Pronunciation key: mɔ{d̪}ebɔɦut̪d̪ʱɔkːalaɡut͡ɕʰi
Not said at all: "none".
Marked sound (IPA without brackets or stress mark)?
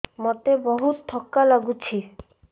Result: t̪